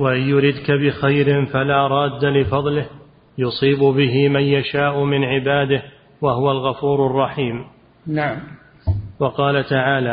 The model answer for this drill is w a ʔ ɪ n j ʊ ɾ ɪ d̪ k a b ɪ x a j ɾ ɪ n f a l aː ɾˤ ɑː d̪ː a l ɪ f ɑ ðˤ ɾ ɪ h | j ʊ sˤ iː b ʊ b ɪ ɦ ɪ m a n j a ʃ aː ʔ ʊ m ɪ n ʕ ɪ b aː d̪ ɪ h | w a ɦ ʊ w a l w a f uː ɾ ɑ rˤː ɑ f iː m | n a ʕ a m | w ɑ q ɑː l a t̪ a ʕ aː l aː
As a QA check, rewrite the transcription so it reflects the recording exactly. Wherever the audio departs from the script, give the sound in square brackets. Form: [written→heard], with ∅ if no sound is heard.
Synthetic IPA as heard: w a ʔ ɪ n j ʊ ɾ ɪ d̪ k a b ɪ x a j ɾ ɪ n f a l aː ɾˤ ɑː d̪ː a l ɪ f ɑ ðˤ [ɾ→l] ɪ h | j ʊ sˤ iː b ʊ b ɪ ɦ ɪ m a n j a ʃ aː ʔ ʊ m ɪ n ʕ ɪ b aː d̪ ɪ h | w a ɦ ʊ w a l [w→ɣ] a f uː ɾ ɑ rˤː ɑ [f→ħ] iː m | n a ʕ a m | w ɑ q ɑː l a t̪ a ʕ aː l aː